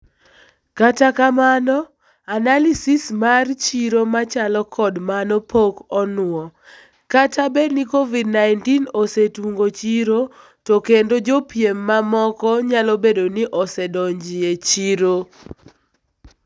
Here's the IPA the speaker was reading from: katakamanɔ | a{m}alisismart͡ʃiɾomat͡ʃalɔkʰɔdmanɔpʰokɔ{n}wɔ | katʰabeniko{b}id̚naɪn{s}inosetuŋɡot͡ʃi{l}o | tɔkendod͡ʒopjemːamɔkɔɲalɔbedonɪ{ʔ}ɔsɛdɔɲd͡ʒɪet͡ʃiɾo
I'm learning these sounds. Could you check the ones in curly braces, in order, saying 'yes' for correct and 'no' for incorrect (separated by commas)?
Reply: no, yes, no, no, no, yes